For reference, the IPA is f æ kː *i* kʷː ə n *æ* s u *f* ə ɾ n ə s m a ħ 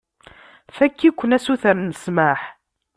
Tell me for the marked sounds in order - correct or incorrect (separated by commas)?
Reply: correct, correct, incorrect